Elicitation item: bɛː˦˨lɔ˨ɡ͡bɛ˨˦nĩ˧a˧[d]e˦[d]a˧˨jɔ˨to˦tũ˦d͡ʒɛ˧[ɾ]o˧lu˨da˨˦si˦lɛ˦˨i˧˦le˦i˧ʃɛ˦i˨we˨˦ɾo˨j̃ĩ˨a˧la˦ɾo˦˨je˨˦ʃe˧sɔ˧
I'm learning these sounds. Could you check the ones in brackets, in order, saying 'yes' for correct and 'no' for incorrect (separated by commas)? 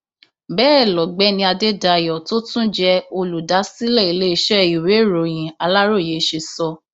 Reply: yes, yes, no